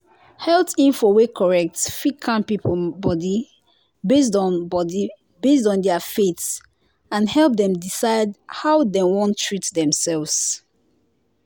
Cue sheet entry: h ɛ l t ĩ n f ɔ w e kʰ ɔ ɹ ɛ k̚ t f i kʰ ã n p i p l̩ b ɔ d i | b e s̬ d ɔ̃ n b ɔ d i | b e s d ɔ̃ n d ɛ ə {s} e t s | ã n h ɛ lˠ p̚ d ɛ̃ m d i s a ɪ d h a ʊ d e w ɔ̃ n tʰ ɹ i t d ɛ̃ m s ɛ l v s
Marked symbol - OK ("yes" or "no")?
no